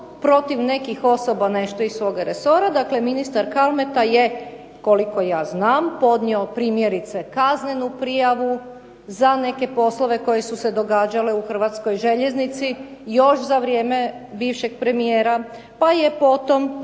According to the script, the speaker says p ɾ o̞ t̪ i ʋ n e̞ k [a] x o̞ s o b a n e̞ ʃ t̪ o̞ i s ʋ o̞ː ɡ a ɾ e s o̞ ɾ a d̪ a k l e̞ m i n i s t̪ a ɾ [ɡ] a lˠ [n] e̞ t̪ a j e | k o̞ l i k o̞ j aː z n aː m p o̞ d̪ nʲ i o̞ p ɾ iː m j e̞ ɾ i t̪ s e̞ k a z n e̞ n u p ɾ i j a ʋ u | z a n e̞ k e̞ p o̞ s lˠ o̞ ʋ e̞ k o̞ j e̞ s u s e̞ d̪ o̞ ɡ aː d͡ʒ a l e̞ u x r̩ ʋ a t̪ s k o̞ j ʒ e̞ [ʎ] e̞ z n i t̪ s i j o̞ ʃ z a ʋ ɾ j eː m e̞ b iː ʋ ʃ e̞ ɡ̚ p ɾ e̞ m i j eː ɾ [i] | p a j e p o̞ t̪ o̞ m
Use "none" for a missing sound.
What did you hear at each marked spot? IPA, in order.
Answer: i, k, m, ʎ, a

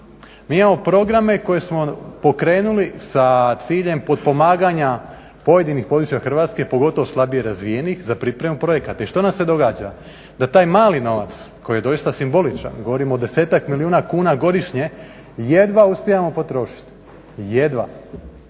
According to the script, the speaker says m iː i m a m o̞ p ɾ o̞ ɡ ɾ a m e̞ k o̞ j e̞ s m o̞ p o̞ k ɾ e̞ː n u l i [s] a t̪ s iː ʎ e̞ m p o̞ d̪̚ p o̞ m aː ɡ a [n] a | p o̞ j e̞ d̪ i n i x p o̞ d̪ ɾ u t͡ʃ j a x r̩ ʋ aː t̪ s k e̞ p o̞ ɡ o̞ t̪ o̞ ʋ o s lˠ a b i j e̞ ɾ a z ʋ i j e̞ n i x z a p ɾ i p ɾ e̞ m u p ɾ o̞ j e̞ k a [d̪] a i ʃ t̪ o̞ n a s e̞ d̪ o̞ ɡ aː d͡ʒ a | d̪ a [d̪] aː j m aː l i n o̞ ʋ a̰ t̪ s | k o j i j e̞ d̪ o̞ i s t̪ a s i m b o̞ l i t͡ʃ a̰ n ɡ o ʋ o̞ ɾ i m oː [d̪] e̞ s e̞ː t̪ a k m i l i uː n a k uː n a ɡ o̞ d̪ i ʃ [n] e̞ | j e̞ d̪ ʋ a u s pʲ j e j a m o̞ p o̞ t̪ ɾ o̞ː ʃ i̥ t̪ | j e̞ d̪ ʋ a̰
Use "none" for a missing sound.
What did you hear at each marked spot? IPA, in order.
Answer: s, ɲ, t̪, t̪, d̪, ɲ

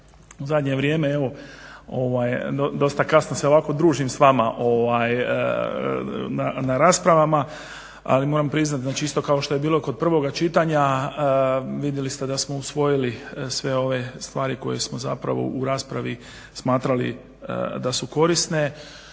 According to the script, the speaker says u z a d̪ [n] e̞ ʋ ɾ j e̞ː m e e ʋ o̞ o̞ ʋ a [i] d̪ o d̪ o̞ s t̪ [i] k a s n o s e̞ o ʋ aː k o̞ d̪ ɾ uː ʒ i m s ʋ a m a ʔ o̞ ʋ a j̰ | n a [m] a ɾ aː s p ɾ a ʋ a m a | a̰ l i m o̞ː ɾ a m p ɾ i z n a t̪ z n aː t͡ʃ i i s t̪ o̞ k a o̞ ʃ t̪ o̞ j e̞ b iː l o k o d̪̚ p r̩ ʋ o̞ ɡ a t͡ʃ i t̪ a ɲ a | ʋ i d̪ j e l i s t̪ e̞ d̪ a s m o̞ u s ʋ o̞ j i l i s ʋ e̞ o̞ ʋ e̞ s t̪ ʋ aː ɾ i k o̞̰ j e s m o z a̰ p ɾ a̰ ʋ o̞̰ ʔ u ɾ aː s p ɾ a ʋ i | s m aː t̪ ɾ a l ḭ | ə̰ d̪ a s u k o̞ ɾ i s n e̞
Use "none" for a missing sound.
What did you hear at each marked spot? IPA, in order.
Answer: ɲ, j, a, n

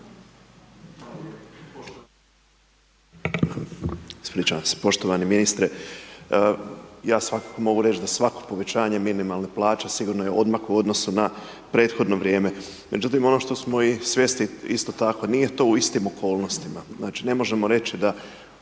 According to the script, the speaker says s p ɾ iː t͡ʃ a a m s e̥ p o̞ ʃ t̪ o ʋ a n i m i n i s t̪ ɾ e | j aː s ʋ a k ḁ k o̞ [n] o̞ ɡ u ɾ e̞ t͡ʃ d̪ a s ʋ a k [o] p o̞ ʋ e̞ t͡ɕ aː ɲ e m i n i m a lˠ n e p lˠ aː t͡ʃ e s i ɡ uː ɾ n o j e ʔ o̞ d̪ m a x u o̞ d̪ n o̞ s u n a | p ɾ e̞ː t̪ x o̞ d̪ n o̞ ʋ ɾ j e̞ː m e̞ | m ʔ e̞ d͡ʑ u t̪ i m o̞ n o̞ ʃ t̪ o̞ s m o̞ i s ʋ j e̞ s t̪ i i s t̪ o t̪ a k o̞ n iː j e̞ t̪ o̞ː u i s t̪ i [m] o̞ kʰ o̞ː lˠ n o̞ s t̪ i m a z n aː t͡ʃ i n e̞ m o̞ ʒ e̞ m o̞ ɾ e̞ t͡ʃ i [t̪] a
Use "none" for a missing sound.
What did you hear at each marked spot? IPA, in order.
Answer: m, o, m, d̪

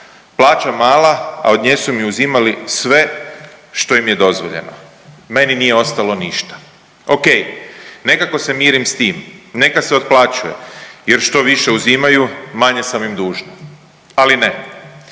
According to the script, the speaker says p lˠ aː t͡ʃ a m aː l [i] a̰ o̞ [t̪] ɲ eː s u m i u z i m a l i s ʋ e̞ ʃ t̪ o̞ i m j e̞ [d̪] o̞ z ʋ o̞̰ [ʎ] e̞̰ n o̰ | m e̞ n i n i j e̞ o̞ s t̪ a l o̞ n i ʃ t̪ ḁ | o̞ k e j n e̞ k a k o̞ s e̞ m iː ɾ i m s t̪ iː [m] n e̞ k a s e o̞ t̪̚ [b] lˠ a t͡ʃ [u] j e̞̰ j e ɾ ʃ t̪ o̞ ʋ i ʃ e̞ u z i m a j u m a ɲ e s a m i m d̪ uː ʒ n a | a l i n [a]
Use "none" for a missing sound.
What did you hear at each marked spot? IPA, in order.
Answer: a, d̪, d̪, ʎ, m, p, u, e

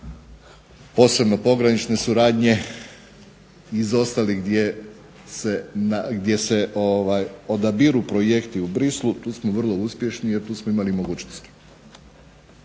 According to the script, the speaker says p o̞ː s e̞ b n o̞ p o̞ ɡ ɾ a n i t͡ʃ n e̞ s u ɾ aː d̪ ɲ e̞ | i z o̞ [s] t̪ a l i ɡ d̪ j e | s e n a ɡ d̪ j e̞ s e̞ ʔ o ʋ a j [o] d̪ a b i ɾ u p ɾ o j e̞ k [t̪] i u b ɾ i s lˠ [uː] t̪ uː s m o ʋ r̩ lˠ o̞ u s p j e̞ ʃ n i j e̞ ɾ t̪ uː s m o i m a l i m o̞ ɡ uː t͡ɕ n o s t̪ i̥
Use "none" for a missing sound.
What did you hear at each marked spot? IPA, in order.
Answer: s, o, t̪, u

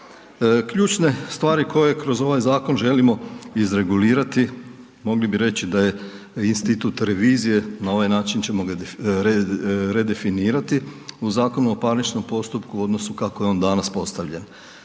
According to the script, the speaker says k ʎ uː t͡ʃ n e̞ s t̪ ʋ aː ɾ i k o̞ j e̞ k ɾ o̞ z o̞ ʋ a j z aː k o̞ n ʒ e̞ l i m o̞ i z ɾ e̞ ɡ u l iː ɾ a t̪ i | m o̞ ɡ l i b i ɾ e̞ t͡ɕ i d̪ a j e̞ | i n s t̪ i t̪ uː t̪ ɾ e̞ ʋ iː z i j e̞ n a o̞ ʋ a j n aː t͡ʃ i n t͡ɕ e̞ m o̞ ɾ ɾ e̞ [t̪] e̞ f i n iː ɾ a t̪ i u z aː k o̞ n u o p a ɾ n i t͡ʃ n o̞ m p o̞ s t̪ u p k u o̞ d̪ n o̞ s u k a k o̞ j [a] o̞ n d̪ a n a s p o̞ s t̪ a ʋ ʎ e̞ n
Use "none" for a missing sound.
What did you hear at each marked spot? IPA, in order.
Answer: d̪, e

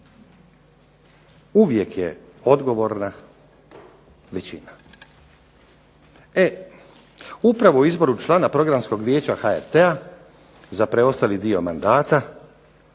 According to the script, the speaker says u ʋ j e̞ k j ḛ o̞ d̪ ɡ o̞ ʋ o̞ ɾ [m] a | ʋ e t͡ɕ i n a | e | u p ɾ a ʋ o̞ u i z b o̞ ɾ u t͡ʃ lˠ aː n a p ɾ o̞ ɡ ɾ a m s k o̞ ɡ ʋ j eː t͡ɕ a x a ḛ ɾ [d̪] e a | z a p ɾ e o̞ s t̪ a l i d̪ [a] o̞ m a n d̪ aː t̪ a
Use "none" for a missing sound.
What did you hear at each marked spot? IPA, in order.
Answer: n, t̪, i

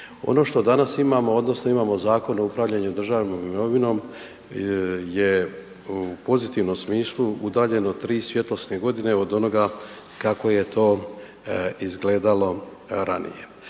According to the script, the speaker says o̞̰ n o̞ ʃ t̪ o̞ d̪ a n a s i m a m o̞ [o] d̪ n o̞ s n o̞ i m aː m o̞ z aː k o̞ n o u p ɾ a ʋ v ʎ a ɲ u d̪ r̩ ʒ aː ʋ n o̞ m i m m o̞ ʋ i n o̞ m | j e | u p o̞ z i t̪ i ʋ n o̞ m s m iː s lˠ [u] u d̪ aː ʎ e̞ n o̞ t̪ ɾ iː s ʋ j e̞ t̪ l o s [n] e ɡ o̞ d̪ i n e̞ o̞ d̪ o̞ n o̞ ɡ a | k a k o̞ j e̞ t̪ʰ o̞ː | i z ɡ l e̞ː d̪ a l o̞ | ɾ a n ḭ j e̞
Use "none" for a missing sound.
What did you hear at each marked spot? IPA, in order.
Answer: o, u, n

